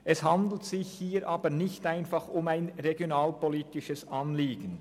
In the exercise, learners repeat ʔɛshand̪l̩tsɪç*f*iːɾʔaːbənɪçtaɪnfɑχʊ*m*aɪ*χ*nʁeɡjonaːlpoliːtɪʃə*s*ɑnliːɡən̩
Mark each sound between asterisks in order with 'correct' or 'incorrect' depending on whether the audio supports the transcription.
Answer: incorrect, correct, incorrect, correct

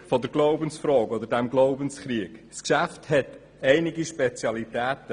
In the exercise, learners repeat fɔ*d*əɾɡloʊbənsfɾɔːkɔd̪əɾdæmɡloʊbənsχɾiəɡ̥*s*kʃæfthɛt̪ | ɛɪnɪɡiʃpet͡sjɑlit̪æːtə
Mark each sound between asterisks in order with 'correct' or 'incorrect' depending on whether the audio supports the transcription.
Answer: correct, correct

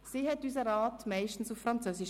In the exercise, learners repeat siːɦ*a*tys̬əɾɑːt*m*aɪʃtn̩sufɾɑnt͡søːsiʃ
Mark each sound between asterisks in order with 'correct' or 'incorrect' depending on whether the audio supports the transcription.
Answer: incorrect, correct

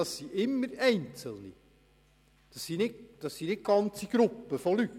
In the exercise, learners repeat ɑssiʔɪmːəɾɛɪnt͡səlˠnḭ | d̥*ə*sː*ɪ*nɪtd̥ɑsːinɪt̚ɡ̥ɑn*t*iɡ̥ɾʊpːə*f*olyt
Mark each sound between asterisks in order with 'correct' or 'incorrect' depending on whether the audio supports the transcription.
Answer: incorrect, incorrect, incorrect, correct

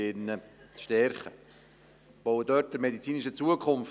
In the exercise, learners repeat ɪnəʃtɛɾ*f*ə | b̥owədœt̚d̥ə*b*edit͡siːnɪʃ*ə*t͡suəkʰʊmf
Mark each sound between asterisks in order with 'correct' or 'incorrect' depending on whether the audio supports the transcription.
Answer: incorrect, incorrect, correct

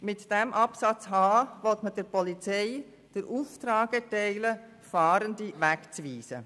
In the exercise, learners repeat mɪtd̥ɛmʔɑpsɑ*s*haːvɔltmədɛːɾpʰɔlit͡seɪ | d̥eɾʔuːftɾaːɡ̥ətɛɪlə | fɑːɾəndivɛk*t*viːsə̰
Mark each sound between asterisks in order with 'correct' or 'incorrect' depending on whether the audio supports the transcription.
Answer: incorrect, incorrect

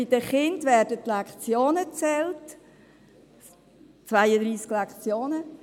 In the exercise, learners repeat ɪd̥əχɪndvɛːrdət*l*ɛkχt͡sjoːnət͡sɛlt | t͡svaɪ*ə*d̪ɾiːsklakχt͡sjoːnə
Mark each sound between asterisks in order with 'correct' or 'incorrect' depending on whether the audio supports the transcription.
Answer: correct, correct

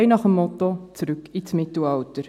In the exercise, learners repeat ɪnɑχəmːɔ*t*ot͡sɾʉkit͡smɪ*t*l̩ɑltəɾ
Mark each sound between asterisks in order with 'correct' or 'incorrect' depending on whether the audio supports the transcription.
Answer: correct, correct

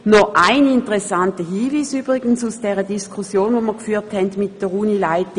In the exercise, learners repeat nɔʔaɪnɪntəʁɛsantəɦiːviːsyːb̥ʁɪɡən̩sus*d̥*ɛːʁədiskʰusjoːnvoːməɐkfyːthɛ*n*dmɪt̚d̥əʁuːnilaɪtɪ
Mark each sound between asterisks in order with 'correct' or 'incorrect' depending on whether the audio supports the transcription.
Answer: correct, correct

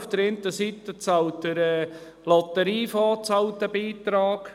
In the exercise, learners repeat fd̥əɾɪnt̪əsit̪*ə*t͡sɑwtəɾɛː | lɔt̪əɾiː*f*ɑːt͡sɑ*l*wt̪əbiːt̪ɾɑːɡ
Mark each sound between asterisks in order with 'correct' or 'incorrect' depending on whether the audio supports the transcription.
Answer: correct, correct, incorrect

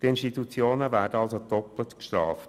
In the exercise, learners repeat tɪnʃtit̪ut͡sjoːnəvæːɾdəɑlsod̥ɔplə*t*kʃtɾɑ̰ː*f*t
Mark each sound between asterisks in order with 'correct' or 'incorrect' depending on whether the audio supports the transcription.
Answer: correct, correct

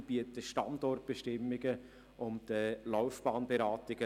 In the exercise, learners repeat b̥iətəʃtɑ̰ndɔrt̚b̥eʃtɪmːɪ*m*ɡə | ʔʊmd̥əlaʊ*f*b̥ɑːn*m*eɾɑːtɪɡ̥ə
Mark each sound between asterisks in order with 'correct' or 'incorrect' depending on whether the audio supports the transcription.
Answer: incorrect, correct, incorrect

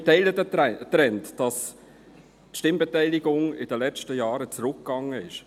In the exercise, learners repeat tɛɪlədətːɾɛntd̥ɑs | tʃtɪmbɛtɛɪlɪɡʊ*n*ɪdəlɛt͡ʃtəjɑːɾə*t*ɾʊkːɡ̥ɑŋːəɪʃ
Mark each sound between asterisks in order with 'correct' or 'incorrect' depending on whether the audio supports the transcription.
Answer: incorrect, incorrect

